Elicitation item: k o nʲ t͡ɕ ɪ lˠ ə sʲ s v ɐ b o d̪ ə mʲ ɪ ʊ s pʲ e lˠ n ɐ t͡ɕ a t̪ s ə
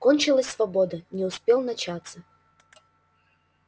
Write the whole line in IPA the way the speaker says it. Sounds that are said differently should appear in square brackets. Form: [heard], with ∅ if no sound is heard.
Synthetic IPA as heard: k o nʲ t͡ɕ ɪ lˠ ə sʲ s v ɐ b o d̪ ə [nʲ] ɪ ʊ s pʲ e lˠ n ɐ t͡ɕ a t̪ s ə